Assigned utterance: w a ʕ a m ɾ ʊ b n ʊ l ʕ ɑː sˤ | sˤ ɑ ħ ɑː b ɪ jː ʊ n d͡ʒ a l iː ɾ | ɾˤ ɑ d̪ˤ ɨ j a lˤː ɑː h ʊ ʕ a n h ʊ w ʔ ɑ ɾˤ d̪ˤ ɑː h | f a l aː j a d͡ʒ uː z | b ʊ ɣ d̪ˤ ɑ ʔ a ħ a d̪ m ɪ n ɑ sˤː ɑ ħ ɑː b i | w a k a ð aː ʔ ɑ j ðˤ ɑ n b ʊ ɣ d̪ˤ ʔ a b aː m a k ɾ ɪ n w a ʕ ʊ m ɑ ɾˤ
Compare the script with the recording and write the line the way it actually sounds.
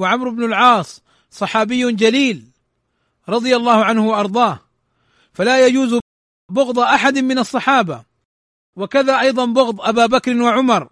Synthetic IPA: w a ʕ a m ɾ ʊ b n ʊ l ʕ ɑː sˤ | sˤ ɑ ħ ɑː b ɪ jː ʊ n d͡ʒ a l iː l | ɾˤ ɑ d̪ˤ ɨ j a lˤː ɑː h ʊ ʕ a n h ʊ w ʔ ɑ ɾˤ d̪ˤ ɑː h | f a l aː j a d͡ʒ uː z | b ʊ ɣ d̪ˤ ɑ ʔ a ħ a d̪ m ɪ n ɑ sˤː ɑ ħ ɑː b a | w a k a ð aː ʔ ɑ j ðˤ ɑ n b ʊ ɣ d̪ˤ ʔ a b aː b a k ɾ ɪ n w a ʕ ʊ m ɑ ɾˤ